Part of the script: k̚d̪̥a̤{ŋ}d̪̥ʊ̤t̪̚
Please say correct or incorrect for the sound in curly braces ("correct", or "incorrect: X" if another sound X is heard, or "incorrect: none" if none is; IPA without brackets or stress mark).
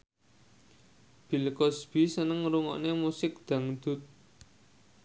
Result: correct